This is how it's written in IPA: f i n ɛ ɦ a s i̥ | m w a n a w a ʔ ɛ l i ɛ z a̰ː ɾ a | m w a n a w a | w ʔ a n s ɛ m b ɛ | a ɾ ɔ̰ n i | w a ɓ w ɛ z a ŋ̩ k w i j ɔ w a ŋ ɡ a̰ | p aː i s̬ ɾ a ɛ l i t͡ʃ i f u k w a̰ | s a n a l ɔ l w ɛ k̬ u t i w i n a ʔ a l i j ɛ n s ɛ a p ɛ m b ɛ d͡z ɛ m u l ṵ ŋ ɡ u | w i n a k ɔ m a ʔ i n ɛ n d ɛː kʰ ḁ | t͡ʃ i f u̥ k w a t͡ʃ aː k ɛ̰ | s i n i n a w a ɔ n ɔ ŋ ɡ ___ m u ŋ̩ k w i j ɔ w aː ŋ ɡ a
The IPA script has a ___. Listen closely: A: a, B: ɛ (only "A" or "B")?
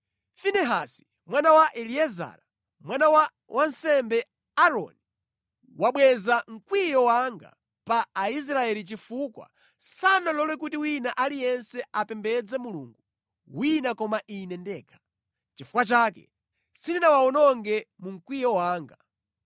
B